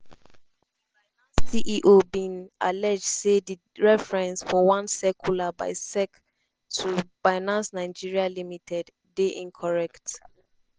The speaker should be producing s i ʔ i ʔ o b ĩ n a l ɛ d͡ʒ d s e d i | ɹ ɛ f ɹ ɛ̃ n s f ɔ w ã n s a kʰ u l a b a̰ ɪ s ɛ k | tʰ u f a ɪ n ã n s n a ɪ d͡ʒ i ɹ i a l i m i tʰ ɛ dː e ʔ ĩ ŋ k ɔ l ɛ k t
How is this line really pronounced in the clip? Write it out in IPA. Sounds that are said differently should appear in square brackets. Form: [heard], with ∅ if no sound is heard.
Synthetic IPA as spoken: s i ʔ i ʔ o b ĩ n a l ɛ d͡ʒ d s e d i | ɹ ɛ f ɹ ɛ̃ n s f ɔ w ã n s [ɛ] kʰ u l a b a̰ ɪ s ɛ k | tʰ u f a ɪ n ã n s n a ɪ d͡ʒ i ɹ i a l i m i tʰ ɛ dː e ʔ ĩ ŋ [kʰ] ɔ [ɹ] ɛ k t